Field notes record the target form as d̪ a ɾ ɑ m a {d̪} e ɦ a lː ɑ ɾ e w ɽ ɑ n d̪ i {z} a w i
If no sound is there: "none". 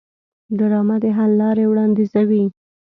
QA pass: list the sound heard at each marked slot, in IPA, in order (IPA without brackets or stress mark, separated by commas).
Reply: d̪, z